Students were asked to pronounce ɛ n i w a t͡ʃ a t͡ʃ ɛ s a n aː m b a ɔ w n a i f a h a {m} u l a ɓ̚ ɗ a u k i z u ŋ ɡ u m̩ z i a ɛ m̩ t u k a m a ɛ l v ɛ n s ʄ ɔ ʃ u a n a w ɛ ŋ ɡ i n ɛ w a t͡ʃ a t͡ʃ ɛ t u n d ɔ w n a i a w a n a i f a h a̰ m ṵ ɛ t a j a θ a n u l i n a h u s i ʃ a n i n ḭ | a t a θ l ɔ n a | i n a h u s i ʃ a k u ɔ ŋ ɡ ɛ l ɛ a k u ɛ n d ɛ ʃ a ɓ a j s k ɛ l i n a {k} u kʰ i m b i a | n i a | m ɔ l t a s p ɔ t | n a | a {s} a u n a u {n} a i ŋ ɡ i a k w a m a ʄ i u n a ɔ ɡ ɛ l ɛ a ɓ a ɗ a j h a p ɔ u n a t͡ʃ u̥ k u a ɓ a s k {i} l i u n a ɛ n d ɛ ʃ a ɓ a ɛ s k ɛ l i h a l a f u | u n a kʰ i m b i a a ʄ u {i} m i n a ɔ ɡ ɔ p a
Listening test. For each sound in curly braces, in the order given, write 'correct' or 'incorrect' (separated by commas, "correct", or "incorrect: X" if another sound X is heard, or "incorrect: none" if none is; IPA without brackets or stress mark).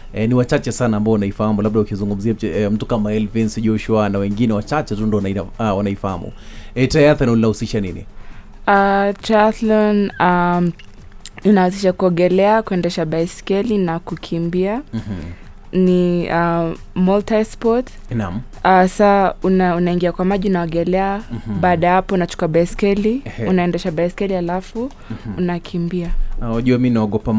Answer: correct, correct, correct, correct, incorrect: ɛ, incorrect: a